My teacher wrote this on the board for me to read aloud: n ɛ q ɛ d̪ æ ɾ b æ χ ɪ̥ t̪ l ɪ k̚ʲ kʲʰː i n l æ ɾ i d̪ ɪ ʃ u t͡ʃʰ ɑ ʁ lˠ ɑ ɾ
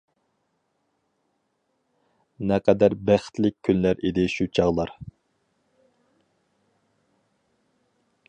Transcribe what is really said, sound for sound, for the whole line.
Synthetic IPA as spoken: n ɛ q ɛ d̪ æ ɾ b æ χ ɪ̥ t̪ l ɪ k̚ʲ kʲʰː y n l æ ɾ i d̪ ɪ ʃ u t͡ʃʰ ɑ ʁ lˠ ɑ ɾ

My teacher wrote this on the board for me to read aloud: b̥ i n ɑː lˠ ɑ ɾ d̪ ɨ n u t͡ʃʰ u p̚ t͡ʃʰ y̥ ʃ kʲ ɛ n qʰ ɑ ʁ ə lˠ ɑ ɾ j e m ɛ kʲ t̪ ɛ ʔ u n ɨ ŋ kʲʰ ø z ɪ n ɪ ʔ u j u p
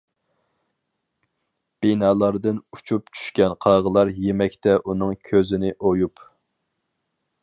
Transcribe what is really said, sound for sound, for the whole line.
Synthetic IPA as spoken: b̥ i n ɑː lˠ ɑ ɾ d̪ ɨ n u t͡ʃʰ u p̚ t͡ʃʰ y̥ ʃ kʲ ɛ n qʰ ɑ ʁ ə lˠ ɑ ɾ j e m ɛ kʲ t̪ ɛ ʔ u n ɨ ŋ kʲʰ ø z ɪ n ɪ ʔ o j u p

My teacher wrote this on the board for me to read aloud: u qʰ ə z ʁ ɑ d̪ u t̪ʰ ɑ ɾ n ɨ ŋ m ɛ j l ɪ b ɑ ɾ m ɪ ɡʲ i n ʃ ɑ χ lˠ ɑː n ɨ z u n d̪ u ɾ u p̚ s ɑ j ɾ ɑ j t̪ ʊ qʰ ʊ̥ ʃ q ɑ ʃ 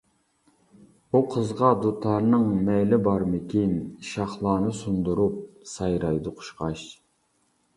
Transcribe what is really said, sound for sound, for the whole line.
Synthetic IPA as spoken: u qʰ ə z ʁ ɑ d̪ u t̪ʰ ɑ ɾ n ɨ ŋ m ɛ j l ɪ b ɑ ɾ m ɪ kʲ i n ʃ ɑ χ lˠ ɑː n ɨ s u n d̪ u ɾ u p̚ s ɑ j ɾ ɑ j d̪ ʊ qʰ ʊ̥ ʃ q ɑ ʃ

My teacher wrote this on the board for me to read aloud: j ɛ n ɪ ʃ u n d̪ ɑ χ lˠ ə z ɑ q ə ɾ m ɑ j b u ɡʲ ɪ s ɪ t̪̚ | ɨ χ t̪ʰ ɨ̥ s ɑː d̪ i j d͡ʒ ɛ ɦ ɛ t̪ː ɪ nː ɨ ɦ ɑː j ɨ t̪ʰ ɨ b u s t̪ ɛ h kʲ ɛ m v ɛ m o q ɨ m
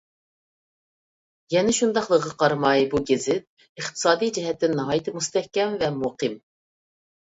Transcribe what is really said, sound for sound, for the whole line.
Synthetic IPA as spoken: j ɛ n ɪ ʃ u n d̪ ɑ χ lˠ ə ʁ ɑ q ɑ ɾ m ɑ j b u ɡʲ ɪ z ɪ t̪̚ | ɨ χ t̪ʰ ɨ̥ s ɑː d̪ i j d͡ʒ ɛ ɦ ɛ t̪ː ɪ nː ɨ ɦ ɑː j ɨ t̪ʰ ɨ m u s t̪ ɛ h kʲ ɛ m v ɛ m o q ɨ m

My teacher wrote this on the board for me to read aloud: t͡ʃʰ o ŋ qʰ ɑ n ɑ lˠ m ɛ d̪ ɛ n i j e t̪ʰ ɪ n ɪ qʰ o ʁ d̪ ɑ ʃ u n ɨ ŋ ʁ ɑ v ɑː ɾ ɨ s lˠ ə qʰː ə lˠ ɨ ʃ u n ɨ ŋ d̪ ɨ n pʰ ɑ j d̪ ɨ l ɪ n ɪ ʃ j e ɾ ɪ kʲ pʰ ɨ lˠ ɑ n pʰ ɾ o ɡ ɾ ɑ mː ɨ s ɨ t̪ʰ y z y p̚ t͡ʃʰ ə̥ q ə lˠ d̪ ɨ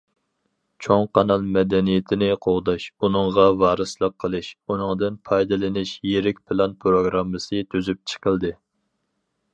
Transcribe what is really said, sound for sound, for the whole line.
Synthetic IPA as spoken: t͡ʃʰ o ŋ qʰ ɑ n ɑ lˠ m ɛ d̪ ɛ n i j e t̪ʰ ɪ n ɪ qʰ o ʁ d̪ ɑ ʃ u n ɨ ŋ ʁ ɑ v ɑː ɾ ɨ s lˠ ə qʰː ə lˠ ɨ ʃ u n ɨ ŋ d̪ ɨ n pʰ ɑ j d̪ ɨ l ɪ n ɪ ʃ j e ɾ ɪ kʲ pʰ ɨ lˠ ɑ n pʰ ɾ o ɡ ɾ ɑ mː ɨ s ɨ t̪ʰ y z y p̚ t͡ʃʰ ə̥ q ə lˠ d̪ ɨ

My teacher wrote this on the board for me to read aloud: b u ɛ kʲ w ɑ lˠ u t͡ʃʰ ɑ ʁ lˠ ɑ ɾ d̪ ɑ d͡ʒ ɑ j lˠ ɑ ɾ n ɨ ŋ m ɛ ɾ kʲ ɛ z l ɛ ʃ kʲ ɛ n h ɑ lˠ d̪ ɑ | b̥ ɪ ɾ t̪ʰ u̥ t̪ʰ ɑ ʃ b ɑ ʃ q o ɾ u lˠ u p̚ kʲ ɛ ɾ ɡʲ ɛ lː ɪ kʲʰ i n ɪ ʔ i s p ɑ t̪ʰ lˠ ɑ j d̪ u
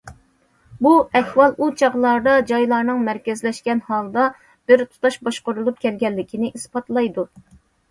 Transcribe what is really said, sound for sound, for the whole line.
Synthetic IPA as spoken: b u ɛ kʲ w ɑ lˠ u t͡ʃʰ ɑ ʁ lˠ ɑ ɾ d̪ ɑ d͡ʒ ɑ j lˠ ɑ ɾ n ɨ ŋ m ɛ ɾ kʲ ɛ z l ɛ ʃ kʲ ɛ n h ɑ lˠ d̪ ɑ | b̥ ɪ ɾ t̪ʰ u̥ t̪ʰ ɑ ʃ b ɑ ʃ q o ɾ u lˠ u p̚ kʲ ɛ l ɡʲ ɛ lː ɪ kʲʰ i n ɪ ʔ i s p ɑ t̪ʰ lˠ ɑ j d̪ u

